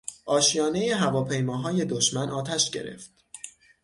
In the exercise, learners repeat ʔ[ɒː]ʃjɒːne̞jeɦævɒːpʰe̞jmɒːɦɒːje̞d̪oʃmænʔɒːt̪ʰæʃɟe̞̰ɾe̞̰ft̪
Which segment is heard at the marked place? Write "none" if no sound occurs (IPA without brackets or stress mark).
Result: ɒː